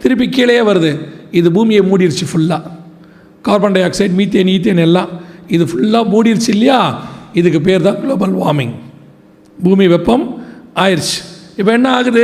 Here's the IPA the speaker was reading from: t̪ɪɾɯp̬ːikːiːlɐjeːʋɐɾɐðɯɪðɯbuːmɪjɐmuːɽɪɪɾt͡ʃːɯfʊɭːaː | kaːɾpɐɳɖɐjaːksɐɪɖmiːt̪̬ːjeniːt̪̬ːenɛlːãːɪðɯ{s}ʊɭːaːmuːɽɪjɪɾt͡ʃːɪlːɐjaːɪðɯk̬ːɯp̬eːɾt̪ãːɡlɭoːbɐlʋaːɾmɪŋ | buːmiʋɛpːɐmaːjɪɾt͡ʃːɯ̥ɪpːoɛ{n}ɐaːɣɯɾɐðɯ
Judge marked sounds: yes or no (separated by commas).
no, no